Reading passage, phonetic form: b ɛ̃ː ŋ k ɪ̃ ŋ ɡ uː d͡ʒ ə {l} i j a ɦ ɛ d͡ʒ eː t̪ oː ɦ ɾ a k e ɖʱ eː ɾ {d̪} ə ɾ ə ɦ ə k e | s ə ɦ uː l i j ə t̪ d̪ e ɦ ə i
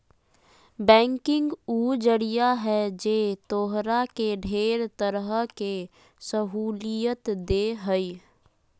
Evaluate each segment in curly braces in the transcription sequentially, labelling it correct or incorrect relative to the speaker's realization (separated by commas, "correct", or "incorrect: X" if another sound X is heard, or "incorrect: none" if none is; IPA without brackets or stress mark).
incorrect: ɽ, incorrect: t̪